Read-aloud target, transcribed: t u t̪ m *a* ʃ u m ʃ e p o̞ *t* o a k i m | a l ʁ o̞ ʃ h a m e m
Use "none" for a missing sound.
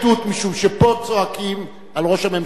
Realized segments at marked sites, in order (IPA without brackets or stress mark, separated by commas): i, t͡s